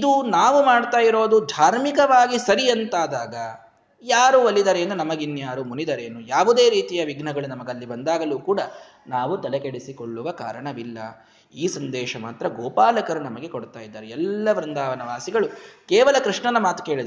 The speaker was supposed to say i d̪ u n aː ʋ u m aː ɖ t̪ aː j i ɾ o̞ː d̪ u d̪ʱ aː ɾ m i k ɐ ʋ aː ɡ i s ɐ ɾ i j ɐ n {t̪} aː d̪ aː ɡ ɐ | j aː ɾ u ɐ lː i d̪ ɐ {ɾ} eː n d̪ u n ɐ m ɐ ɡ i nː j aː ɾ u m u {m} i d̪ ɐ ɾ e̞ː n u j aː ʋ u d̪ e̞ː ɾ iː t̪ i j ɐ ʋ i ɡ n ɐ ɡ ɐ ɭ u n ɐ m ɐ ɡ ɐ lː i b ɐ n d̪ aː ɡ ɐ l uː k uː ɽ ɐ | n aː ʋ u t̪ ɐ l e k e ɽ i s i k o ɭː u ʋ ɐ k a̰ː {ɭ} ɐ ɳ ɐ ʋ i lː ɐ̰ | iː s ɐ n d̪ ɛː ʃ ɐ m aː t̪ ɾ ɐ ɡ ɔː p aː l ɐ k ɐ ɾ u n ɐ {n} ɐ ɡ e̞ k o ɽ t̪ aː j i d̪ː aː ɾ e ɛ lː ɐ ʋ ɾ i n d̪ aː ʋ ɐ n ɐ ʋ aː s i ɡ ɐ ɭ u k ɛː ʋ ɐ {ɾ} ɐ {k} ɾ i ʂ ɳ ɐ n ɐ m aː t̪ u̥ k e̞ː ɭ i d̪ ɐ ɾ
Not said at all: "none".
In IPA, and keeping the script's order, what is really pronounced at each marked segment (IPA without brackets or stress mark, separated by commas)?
t̪, ɾ, n, ɾ, m, l, k